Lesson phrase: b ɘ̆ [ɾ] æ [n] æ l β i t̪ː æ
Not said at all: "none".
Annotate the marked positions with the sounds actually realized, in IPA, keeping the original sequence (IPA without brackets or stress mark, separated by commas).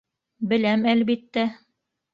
l, m